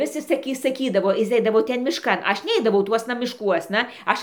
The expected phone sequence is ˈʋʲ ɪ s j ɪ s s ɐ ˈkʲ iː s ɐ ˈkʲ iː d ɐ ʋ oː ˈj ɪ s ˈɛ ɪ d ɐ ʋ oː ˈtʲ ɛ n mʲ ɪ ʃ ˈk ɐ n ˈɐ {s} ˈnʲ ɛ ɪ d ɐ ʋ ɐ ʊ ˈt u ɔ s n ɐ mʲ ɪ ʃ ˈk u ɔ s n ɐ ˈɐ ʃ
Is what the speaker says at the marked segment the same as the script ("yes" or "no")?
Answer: no